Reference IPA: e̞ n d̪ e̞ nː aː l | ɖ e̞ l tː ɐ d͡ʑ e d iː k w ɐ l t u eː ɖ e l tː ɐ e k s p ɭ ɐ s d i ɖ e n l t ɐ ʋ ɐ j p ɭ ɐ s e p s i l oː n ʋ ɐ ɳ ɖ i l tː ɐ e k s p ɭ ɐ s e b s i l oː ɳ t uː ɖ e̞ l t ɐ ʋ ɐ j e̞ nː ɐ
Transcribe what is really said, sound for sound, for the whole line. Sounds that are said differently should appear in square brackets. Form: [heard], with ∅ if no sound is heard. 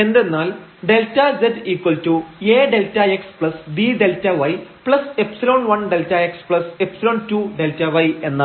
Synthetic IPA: e̞ n d̪ e̞ nː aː l | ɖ e̞ l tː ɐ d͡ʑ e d iː k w ɐ l t u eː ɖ e l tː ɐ e k s p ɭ ɐ s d i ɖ e [∅] l t ɐ ʋ ɐ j p ɭ ɐ s e p s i l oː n ʋ ɐ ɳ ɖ [e] l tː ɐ e k s p ɭ ɐ s e [p] s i l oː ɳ t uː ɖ e̞ l t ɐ ʋ ɐ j e̞ nː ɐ